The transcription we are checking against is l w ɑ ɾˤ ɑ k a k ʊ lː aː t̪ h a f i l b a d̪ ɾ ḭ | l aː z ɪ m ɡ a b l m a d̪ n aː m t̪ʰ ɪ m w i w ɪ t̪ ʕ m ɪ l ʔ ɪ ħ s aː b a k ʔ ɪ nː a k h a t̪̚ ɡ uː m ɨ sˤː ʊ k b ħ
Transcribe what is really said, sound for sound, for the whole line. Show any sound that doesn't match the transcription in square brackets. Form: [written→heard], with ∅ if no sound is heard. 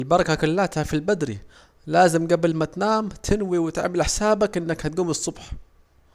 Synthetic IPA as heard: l [w→b] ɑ ɾˤ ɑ k a k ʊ lː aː t̪ h a f i l b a d̪ ɾ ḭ | l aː z ɪ m ɡ a b l m a [d̪→t̪] n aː m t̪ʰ ɪ [m→n] w i w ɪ t̪ ʕ m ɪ l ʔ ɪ ħ s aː b a k ʔ ɪ nː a k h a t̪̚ ɡ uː m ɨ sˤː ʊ [k→∅] b ħ

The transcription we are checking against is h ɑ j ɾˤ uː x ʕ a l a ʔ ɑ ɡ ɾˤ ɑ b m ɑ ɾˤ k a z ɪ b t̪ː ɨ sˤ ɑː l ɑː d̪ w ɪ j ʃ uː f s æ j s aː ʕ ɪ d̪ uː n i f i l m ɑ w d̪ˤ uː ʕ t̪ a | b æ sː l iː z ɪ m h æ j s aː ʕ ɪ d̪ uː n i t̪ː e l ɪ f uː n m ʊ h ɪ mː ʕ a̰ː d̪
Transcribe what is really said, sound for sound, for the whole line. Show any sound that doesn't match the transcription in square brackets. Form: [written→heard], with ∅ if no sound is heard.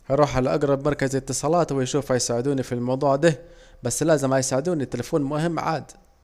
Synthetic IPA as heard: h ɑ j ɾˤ uː [x→ħ] ʕ a l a ʔ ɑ ɡ ɾˤ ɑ b m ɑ ɾˤ k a z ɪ [b→∅] t̪ː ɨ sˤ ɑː l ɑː [d̪→t̪] w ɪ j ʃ uː f [s→h] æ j s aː ʕ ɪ d̪ uː n i f i l m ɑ w d̪ˤ uː ʕ [t̪→d̪] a | b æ sː l [iː→æː] z ɪ m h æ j s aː ʕ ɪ d̪ uː n i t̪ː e l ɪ f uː n m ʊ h ɪ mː ʕ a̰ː d̪

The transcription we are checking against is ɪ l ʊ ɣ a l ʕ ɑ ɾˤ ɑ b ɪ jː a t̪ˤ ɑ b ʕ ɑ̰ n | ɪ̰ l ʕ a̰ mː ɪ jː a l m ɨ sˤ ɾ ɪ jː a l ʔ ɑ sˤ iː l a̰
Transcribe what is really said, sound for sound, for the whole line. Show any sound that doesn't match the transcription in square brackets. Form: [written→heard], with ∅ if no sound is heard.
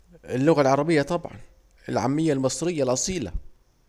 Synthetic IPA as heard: ɪ [l→lː] ʊ ɣ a l ʕ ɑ ɾˤ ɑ b ɪ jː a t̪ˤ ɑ b ʕ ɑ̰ n | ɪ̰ l ʕ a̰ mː ɪ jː a l m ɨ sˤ ɾ ɪ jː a l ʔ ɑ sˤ iː l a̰

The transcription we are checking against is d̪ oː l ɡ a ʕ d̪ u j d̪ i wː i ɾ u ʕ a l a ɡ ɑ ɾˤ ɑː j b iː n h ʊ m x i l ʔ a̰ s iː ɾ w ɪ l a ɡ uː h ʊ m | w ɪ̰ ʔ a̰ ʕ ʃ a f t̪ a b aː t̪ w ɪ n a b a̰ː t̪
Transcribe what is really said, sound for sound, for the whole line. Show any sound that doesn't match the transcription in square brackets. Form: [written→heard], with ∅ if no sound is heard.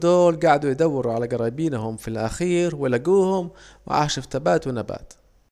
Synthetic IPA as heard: d̪ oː l ɡ a ʕ d̪ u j d̪ [i→a] wː [i→ɪ] ɾ u ʕ a l a ɡ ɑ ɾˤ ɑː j b iː n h ʊ m [x→f] i l ʔ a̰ [s→x] iː ɾ w ɪ l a ɡ uː h ʊ m | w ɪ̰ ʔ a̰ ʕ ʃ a f t̪ a b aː t̪ w ɪ n a b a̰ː t̪

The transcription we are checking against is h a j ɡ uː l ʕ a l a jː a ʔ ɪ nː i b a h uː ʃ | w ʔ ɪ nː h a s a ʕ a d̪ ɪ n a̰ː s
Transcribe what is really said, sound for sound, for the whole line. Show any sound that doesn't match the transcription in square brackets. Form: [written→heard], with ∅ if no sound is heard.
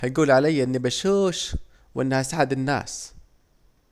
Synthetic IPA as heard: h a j ɡ uː l ʕ a l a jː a ʔ ɪ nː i b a [h→ʃ] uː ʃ | w ʔ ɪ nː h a s a ʕ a d̪ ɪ [n→nː] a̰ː s

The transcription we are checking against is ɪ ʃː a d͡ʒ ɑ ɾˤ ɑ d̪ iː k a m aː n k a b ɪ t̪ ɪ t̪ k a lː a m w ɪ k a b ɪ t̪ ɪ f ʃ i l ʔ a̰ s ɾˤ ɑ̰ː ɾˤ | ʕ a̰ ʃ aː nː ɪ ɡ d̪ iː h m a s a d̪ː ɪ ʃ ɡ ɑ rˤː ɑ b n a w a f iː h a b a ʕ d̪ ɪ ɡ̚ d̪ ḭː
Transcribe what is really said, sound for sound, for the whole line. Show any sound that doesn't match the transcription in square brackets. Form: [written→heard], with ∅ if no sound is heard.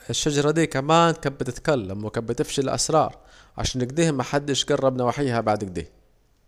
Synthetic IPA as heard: ɪ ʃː a d͡ʒ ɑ ɾˤ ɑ d̪ iː k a m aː n k a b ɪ t̪ ɪ t̪ k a lː a m w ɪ k a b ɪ t̪ ɪ f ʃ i l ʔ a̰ s ɾˤ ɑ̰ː ɾˤ | ʕ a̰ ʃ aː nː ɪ ɡ d̪ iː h m a [s→ħ] a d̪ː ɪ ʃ ɡ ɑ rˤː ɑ b n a w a [f→ħ] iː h a b a ʕ d̪ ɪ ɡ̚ d̪ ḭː

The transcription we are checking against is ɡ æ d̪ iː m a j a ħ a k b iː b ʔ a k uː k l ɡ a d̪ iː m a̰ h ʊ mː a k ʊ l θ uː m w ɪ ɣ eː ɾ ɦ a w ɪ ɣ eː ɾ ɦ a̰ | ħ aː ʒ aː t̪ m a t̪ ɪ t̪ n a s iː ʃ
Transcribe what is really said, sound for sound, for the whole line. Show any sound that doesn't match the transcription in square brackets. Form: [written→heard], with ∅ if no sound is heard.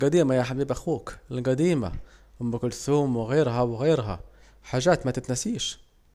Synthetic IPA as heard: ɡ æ d̪ iː m a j a ħ a [k→∅] b iː b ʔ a [k→x] uː k l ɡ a d̪ iː m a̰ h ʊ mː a k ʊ l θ uː m w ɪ ɣ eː ɾ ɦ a w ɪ ɣ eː ɾ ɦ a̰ | ħ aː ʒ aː t̪ m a t̪ ɪ t̪ n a s iː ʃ

